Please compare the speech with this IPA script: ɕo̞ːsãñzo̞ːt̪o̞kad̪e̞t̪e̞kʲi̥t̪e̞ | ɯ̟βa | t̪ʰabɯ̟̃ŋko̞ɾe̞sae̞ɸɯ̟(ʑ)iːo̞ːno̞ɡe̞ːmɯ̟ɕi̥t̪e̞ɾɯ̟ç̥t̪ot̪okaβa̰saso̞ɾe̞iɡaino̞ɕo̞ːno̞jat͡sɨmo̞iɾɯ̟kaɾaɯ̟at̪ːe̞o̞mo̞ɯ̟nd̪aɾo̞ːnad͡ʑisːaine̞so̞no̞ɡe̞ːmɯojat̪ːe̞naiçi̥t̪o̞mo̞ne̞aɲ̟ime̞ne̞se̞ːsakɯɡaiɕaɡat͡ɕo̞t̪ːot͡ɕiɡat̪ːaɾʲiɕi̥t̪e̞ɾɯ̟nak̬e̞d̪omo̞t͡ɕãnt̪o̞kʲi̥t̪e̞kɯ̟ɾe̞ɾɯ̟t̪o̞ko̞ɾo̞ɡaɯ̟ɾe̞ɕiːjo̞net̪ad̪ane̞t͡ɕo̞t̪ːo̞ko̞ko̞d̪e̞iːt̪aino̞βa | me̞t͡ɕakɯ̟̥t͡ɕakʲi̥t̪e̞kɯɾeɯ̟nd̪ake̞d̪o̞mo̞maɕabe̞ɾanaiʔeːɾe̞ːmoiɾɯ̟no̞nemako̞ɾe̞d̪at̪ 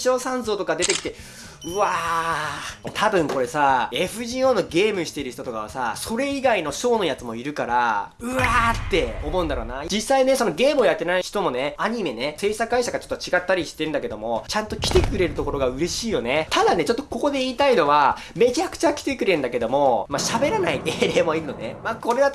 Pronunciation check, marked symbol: correct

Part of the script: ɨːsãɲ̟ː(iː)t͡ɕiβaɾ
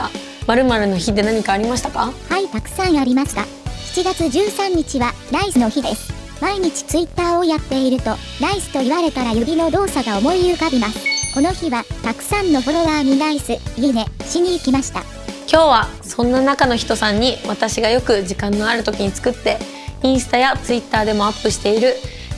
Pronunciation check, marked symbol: incorrect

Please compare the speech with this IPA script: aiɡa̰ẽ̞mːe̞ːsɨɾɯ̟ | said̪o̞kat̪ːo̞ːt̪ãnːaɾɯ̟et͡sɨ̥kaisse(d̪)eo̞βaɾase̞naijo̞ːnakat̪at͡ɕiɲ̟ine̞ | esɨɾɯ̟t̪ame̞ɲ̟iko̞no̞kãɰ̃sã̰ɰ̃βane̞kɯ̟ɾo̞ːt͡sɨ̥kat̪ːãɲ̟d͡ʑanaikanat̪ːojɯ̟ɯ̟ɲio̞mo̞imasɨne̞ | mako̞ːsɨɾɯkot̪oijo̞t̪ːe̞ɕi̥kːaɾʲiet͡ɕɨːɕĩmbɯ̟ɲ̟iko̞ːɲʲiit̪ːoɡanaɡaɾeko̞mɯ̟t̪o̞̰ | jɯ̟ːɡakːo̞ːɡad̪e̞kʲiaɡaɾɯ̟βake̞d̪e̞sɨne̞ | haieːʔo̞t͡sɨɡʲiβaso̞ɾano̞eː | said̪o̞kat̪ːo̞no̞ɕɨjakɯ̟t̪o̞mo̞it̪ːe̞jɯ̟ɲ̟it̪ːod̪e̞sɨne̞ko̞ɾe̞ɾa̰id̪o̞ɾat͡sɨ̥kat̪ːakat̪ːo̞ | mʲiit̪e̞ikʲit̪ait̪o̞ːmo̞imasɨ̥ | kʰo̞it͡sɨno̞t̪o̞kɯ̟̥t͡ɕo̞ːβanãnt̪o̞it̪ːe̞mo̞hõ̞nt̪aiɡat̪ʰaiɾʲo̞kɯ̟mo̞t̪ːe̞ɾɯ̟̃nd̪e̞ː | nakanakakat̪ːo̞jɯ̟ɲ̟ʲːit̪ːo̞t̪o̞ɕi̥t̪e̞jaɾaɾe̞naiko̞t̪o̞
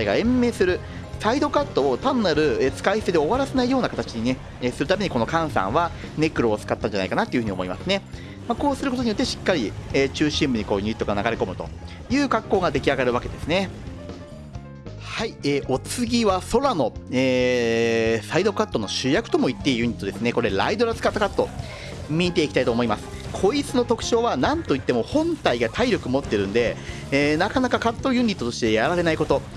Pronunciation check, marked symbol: correct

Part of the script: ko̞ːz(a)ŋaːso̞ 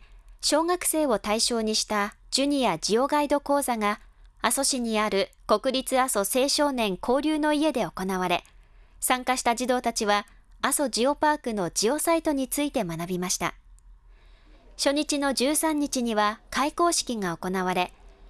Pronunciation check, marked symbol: correct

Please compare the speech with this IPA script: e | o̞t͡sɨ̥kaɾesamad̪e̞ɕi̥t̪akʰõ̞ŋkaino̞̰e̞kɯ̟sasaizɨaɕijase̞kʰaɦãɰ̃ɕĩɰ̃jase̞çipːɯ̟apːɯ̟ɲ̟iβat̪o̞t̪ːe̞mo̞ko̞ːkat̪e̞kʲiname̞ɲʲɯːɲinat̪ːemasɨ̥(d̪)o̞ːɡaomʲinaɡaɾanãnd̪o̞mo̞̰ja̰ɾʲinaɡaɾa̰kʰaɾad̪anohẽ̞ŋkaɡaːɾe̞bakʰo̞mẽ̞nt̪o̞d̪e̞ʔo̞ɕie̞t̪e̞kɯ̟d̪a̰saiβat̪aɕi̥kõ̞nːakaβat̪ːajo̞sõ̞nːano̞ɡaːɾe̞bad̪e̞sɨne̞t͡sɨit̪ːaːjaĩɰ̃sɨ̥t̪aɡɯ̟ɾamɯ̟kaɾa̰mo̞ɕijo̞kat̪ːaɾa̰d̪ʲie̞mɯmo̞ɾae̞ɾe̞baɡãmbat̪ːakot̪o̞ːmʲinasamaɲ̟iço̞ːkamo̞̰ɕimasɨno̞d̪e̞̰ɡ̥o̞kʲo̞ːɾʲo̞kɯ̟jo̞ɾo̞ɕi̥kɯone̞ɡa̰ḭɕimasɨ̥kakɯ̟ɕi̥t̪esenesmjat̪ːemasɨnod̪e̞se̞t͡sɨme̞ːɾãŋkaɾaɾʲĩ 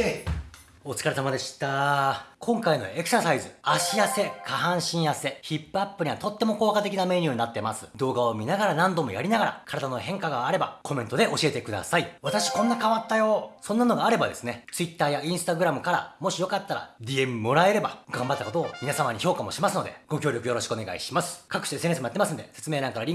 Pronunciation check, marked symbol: correct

